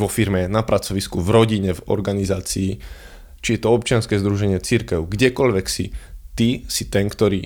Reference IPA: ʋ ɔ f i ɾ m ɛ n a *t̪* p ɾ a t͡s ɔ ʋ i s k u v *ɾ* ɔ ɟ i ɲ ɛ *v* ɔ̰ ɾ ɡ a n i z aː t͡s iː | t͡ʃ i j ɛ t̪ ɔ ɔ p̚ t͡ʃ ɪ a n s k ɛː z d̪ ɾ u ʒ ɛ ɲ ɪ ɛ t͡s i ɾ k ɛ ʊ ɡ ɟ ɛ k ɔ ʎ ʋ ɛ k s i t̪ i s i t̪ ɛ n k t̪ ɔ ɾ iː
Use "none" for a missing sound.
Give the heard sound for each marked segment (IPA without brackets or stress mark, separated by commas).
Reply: none, ɾ, v